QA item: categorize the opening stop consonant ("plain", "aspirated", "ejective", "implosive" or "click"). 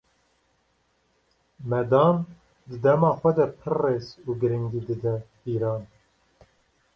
plain